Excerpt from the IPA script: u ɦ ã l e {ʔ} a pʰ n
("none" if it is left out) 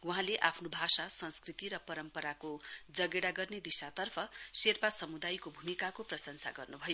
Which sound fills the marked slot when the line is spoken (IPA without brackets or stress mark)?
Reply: ʔ